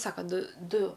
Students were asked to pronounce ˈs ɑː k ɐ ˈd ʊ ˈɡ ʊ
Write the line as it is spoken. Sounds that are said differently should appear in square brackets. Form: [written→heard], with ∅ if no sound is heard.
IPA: ˈs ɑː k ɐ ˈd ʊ [ˈɡ→ˈd] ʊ